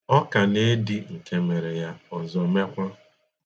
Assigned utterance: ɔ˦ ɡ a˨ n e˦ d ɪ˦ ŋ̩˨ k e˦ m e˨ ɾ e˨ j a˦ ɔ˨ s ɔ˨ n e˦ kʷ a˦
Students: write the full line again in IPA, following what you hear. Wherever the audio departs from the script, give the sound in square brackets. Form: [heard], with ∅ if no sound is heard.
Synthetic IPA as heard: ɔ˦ [k] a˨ n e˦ d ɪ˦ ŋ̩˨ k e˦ m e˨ ɾ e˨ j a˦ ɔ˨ [z] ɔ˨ [m] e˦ kʷ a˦